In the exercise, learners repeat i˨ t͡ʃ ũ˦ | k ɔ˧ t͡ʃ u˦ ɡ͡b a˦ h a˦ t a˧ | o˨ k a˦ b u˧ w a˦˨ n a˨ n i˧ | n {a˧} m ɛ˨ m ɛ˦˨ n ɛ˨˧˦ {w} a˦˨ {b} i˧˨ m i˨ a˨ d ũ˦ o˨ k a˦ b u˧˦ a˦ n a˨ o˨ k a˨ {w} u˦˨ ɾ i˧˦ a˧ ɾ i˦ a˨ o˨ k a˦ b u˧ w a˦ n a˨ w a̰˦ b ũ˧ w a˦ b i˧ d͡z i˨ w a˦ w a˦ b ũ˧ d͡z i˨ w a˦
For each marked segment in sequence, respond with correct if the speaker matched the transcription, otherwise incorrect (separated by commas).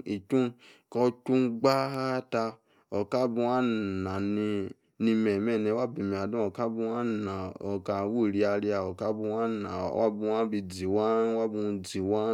incorrect, correct, correct, correct